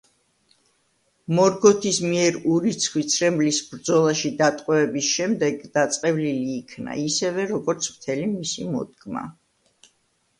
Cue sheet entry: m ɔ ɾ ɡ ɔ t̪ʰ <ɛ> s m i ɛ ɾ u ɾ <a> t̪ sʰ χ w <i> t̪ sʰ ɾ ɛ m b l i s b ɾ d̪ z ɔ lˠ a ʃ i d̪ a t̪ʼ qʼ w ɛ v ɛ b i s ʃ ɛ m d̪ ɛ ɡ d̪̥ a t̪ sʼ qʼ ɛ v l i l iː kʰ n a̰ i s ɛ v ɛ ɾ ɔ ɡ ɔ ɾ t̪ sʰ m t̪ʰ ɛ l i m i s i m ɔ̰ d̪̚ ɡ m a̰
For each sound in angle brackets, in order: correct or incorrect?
incorrect: i, incorrect: i, correct

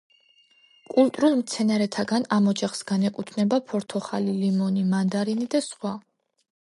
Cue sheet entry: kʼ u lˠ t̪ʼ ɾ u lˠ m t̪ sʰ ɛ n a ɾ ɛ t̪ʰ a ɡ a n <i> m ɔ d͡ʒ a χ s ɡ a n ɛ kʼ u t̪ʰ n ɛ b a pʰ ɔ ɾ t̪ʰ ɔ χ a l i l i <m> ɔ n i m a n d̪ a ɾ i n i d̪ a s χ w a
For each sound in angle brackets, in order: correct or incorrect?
incorrect: a, correct

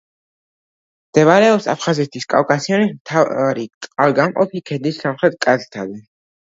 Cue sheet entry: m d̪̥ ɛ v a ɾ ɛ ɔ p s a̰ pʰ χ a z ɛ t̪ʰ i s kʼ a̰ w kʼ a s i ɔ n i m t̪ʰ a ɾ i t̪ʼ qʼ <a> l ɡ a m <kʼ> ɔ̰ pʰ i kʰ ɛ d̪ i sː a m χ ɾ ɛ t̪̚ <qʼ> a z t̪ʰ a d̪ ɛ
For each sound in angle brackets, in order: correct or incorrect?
correct, incorrect: qʼ, incorrect: kʼ

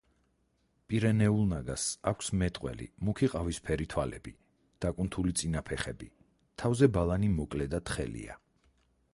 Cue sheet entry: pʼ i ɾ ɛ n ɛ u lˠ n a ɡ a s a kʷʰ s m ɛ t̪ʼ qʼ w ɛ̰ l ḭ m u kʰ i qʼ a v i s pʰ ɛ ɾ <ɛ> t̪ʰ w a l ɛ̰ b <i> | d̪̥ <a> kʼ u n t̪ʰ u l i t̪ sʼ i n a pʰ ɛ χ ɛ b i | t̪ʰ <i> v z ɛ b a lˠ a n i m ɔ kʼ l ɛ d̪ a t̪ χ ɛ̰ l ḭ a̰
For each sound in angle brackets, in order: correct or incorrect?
incorrect: i, correct, correct, incorrect: a

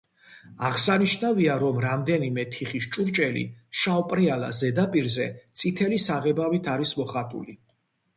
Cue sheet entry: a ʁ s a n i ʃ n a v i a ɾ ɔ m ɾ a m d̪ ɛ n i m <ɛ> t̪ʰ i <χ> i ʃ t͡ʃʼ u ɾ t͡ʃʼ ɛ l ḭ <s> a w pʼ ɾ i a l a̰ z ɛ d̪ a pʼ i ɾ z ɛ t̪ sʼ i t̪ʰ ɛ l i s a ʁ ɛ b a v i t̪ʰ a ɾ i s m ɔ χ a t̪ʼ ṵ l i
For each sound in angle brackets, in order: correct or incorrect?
correct, correct, incorrect: ʃ

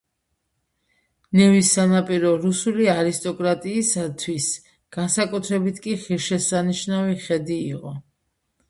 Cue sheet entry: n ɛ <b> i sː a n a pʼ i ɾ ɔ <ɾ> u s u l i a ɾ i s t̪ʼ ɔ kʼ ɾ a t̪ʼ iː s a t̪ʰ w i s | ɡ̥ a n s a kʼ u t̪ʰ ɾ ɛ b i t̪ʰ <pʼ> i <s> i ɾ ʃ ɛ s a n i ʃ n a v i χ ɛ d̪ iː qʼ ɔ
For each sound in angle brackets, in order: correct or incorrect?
incorrect: v, correct, incorrect: kʼ, incorrect: χ

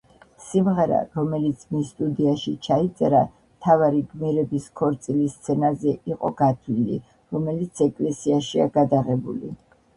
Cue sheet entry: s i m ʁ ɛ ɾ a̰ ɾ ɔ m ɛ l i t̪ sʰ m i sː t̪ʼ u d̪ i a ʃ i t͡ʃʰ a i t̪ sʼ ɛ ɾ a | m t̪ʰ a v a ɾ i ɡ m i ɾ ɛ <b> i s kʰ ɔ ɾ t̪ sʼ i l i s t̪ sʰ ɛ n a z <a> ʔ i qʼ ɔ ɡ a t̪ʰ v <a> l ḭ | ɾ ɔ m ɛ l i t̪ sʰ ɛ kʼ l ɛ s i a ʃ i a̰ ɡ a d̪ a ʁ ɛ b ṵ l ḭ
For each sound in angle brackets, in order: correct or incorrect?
correct, incorrect: ɛ, incorrect: i

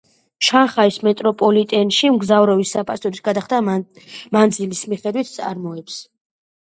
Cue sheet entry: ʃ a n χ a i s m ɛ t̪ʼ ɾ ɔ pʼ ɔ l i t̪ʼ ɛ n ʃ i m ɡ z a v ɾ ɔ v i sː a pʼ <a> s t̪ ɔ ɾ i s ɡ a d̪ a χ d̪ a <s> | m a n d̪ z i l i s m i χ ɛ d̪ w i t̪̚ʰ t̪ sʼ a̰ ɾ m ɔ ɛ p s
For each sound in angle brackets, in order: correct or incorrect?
correct, incorrect: none

